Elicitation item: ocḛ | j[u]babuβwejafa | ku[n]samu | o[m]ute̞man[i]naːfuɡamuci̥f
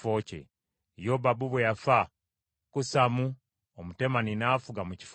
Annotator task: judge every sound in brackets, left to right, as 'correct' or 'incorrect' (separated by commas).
incorrect, incorrect, correct, correct